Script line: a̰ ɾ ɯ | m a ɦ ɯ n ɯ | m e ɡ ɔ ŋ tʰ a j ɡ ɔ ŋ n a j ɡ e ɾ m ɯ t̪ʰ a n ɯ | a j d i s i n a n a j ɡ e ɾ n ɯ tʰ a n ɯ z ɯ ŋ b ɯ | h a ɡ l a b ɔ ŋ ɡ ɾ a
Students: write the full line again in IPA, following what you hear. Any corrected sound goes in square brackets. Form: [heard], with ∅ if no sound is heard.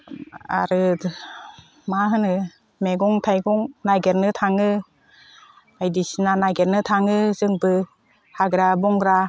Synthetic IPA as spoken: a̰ ɾ ɯ | m a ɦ ɯ n ɯ | m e ɡ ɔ ŋ tʰ a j ɡ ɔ ŋ n a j ɡ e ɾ [n] ɯ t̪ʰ a [ŋ] ɯ | a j d i s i n a n a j ɡ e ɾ n ɯ tʰ a [ŋ] ɯ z ɯ ŋ b ɯ | h a ɡ [ɾ] a b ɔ ŋ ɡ ɾ a